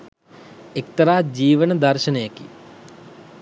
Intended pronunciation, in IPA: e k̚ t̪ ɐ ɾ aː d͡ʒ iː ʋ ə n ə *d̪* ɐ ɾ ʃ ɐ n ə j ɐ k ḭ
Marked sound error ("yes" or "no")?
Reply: no